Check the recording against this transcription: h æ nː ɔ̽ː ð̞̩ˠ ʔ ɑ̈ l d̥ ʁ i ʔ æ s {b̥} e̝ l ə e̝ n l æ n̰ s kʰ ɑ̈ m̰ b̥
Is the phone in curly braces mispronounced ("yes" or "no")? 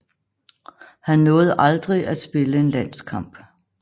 no